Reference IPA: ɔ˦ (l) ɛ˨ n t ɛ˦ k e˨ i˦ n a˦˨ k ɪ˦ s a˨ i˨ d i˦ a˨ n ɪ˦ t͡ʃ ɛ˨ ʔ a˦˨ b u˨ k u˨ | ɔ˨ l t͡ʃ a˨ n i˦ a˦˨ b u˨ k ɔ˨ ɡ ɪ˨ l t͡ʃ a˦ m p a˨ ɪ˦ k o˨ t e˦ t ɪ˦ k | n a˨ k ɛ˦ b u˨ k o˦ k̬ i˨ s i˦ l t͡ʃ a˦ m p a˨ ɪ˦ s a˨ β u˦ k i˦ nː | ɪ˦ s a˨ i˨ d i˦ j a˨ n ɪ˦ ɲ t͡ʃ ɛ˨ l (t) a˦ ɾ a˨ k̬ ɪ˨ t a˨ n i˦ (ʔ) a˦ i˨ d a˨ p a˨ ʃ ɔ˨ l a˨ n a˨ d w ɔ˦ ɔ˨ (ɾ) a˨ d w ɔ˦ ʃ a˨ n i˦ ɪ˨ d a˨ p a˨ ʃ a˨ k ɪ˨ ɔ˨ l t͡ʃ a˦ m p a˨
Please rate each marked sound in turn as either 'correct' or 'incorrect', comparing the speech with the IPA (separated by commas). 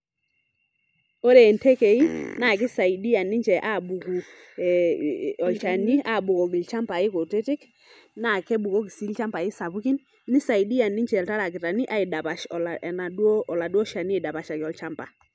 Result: incorrect, correct, correct, incorrect